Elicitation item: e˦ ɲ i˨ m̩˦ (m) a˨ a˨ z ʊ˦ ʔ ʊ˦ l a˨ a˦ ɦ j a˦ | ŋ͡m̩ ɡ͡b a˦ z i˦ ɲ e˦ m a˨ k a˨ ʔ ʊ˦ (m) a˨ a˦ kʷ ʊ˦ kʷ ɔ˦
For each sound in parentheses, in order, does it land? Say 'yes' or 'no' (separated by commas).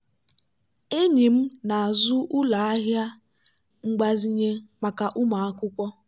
no, yes